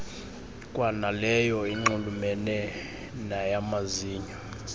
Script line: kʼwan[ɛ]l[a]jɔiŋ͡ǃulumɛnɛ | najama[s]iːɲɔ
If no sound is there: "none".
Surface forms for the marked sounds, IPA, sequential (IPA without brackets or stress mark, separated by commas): a, ɛ, z